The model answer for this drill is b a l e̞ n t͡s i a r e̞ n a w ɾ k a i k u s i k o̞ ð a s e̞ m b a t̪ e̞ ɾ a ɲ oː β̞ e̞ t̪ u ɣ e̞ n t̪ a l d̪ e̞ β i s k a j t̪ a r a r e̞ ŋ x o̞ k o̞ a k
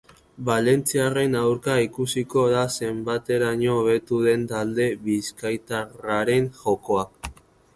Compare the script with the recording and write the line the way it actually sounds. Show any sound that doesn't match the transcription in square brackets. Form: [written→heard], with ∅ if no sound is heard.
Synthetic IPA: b a l e̞ n t͡s i a r e̞ n a w ɾ k a i k u s i k o̞ ð a s e̞ m b a t̪ e̞ ɾ a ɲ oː β̞ e̞ t̪ u [ɣ→ð] e̞ n t̪ a l d̪ e̞ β i s k a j t̪ a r a [r→ɾ] e̞ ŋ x o̞ k o̞ a k